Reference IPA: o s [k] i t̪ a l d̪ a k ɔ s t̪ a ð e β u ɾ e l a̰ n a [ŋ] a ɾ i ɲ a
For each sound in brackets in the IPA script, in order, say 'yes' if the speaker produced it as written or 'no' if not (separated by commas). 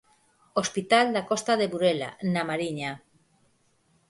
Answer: no, no